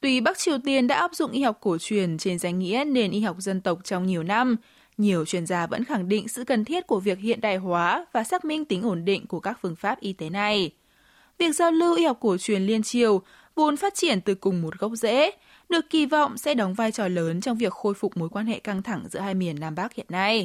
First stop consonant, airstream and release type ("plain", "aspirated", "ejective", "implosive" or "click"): plain